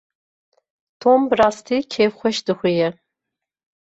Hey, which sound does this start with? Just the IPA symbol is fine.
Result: tʰ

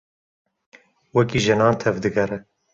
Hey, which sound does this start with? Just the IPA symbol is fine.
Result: w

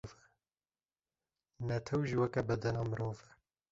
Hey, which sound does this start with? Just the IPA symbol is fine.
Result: v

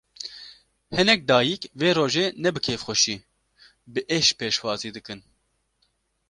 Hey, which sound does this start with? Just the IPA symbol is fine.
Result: h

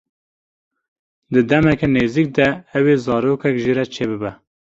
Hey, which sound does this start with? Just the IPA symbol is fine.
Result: d̪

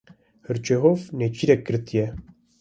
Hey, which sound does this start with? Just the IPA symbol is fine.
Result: h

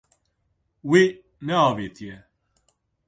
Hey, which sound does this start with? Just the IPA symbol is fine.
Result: w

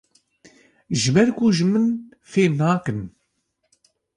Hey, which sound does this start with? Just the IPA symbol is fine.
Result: ʒ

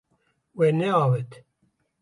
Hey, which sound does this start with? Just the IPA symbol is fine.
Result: w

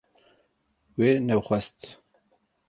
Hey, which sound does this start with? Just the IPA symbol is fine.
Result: w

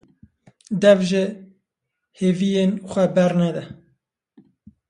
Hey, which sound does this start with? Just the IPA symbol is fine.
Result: d̪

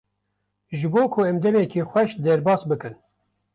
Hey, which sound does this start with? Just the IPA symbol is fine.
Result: ʒ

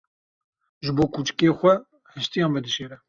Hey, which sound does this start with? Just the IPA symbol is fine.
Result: ʒ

